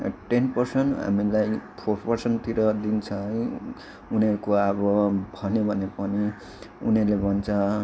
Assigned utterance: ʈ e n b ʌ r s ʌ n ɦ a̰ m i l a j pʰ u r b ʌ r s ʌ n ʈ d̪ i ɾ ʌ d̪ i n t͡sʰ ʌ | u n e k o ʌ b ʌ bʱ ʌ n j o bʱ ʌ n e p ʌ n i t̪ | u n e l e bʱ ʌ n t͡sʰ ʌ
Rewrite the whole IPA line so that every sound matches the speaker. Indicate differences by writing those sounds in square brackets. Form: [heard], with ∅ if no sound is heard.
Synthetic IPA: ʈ e n [p] ʌ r s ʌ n ɦ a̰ m i l a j pʰ [o] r [p] ʌ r s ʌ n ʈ [t̪] i ɾ ʌ d̪ i n t͡sʰ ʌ | u n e k o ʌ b ʌ bʱ ʌ n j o bʱ ʌ n e p ʌ n i [∅] | u n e l e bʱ ʌ n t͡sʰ ʌ